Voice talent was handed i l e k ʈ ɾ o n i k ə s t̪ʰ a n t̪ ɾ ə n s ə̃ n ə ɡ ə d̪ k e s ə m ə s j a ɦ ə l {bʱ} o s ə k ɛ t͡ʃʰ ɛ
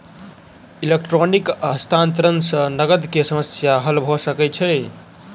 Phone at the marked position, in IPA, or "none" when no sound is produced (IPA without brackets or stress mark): bʱ